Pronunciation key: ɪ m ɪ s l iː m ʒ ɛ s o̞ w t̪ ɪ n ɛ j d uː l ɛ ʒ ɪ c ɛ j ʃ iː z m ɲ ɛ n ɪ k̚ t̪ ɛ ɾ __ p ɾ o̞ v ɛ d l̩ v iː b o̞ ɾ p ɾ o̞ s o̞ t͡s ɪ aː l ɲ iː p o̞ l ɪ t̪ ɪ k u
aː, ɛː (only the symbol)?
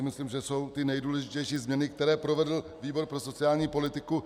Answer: ɛː